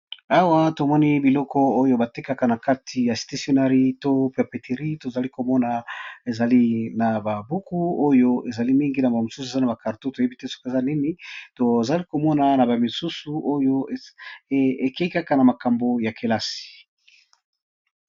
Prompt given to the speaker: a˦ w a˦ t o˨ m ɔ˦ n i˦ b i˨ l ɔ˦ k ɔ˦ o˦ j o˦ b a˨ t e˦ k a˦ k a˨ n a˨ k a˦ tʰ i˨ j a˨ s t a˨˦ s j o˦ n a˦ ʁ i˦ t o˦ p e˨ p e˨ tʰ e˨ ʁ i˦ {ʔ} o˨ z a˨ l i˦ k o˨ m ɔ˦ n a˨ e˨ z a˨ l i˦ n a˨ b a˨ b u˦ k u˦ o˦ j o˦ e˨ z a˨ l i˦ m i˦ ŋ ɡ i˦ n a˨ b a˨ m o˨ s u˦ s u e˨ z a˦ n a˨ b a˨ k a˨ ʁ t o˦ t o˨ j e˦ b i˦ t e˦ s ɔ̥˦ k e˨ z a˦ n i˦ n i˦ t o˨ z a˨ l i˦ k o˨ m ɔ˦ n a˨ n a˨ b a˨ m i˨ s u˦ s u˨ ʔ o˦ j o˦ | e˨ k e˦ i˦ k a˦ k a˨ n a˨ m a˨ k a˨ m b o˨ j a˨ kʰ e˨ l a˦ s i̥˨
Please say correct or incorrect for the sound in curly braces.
incorrect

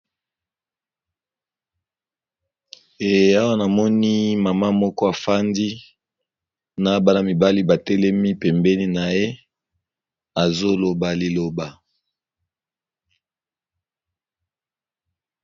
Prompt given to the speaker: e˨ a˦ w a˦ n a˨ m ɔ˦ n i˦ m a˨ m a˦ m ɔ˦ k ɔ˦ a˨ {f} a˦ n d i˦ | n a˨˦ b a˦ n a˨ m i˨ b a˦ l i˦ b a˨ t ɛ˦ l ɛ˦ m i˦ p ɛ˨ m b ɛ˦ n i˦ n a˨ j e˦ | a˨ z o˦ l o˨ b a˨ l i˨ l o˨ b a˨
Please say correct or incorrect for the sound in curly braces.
correct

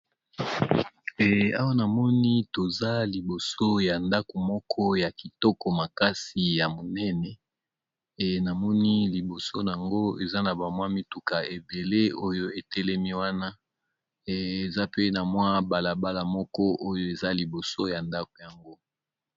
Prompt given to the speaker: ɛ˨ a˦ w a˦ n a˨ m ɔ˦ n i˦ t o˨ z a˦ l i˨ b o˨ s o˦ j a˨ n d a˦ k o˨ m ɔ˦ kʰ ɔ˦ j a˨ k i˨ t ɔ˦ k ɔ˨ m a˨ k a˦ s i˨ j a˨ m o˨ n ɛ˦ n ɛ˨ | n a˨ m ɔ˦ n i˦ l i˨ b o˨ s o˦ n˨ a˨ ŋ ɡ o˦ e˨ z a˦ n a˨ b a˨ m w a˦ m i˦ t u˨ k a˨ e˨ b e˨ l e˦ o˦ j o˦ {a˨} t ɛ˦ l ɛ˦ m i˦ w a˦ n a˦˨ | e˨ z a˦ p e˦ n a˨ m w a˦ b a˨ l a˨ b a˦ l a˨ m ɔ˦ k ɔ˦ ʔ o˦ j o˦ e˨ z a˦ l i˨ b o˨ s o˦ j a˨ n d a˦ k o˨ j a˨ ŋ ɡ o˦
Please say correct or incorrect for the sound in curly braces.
incorrect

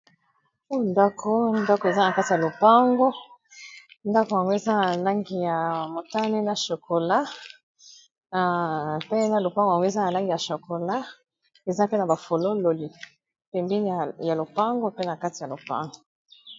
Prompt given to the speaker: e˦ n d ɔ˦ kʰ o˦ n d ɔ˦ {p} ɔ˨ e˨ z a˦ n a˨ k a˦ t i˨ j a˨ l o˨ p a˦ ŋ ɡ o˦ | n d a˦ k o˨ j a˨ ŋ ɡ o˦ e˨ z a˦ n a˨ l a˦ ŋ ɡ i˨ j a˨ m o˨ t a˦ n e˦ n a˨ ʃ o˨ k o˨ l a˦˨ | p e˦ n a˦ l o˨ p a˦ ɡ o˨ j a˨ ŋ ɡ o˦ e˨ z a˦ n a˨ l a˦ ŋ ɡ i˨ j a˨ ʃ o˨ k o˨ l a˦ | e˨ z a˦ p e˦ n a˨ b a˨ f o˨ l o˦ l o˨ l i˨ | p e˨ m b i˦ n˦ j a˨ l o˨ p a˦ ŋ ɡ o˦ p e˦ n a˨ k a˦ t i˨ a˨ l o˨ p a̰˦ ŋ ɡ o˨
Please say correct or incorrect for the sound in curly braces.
incorrect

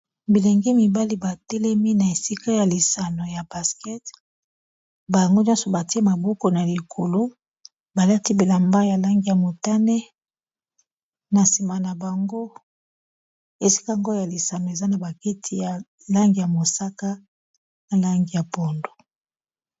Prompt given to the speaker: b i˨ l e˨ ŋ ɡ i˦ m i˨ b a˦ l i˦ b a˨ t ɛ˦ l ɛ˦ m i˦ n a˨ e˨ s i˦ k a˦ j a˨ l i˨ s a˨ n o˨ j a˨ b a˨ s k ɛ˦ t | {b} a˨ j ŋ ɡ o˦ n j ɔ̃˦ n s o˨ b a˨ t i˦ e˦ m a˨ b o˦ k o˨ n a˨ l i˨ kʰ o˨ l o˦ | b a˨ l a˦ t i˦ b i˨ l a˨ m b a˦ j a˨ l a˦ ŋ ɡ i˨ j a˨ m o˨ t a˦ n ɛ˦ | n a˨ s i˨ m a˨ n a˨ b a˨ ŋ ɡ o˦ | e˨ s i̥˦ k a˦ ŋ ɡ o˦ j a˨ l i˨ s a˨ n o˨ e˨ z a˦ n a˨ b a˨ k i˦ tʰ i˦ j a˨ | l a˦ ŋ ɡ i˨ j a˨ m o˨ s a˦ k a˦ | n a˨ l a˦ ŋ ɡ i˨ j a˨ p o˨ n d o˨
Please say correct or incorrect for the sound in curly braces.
correct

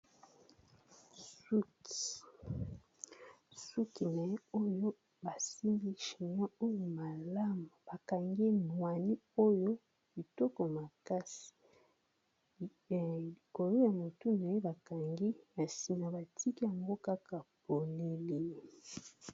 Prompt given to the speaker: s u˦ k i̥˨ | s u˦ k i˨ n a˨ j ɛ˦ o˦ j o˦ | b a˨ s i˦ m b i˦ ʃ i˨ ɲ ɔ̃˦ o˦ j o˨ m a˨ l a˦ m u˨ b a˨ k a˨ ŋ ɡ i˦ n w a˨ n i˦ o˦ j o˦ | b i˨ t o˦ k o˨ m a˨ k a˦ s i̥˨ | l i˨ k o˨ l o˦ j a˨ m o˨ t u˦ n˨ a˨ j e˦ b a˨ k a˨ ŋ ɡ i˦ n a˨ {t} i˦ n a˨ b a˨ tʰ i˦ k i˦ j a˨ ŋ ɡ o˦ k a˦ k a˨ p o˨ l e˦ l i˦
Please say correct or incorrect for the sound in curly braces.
incorrect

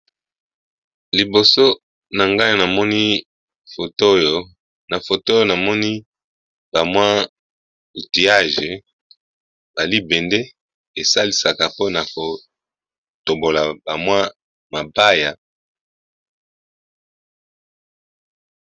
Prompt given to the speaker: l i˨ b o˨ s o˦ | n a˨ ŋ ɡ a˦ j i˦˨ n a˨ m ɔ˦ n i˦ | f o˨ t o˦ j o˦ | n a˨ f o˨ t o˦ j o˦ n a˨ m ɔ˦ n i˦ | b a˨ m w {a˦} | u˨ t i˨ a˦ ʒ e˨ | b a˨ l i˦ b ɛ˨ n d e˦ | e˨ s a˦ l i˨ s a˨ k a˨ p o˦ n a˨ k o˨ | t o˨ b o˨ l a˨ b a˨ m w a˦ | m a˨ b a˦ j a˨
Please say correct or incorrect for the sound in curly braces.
correct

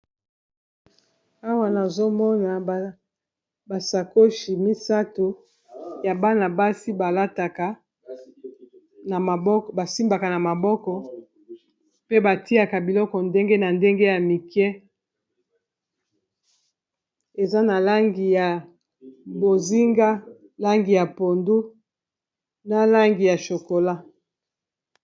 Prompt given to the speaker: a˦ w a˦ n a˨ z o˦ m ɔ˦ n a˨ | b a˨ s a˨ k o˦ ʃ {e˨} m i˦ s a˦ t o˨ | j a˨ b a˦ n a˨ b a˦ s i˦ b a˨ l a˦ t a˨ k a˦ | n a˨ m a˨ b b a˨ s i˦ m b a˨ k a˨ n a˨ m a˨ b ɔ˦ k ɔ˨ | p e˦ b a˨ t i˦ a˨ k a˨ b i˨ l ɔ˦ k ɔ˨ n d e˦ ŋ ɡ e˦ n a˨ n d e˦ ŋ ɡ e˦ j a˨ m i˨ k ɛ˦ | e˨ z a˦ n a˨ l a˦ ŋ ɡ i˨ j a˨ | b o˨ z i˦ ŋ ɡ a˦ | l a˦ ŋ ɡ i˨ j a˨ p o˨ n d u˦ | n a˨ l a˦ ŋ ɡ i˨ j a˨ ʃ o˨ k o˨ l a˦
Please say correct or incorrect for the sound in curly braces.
incorrect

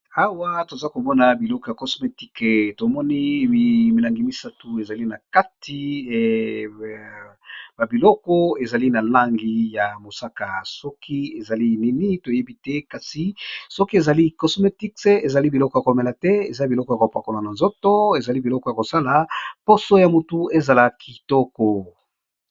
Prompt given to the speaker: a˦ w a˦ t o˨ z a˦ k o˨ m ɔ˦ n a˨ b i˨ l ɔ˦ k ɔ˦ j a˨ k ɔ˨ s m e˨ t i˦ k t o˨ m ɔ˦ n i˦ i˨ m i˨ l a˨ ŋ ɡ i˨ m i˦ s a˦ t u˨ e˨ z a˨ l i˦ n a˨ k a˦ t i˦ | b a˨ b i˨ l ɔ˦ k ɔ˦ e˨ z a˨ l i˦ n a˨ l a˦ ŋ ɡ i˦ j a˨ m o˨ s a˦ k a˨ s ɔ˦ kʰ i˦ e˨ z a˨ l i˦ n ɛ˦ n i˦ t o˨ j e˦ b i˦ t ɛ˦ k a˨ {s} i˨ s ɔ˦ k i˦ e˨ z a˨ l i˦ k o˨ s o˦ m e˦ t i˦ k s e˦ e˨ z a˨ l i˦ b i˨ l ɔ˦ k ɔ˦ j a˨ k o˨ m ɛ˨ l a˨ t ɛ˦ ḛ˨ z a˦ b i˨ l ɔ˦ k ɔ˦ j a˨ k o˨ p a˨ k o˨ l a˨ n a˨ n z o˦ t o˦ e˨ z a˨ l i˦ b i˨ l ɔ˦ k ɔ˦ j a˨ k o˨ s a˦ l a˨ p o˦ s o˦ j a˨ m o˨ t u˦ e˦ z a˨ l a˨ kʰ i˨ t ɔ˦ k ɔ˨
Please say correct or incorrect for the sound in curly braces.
correct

